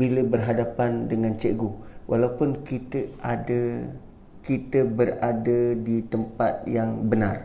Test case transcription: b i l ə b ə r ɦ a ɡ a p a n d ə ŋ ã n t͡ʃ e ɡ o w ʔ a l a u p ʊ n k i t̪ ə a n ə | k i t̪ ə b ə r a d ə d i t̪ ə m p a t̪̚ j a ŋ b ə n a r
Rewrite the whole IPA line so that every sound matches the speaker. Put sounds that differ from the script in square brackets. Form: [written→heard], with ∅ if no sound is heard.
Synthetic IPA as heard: b i l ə b ə r ɦ a [ɡ→d] a p a n d ə ŋ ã n t͡ʃ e ɡ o w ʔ a l a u p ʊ n k i t̪ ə a [n→d] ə | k i t̪ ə b ə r a d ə d i t̪ ə m p a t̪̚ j a ŋ b ə n a r